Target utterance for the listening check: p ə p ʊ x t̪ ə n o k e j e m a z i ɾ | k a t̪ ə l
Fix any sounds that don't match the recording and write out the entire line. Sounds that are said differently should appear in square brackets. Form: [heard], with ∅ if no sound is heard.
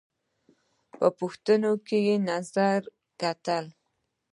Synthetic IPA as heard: p ə p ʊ x t̪ ə n o k e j e [n] a z [a] ɾ | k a t̪ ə l